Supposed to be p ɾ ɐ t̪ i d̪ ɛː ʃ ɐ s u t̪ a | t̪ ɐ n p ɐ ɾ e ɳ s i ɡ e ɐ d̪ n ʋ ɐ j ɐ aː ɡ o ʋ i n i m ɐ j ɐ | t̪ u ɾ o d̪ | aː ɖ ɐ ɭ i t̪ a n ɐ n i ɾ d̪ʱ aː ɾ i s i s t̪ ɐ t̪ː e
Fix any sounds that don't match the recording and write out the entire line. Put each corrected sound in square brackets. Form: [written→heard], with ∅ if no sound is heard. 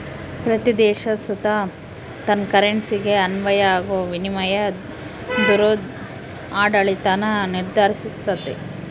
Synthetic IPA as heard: p ɾ ɐ t̪ i d̪ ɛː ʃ ɐ s u t̪ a | t̪ ɐ n [p→k] ɐ ɾ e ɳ s i ɡ e ɐ [d̪→∅] n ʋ ɐ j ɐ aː ɡ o ʋ i n i m ɐ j ɐ | [t̪→d̪] u ɾ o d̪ | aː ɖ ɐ ɭ i t̪ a n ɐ n i ɾ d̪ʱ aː ɾ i s i s t̪ ɐ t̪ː e